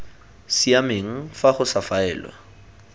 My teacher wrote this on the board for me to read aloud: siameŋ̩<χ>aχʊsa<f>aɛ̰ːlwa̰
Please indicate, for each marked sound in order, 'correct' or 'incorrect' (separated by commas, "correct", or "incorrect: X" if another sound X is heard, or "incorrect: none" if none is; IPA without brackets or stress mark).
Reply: incorrect: f, correct